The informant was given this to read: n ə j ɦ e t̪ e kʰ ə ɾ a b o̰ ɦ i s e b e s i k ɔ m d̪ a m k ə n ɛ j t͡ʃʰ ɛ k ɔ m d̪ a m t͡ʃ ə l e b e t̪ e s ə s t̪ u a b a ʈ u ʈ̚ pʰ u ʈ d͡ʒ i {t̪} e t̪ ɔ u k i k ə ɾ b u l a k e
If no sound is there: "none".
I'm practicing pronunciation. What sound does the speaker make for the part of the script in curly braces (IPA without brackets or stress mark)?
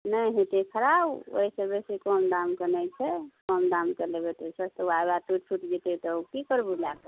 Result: t̪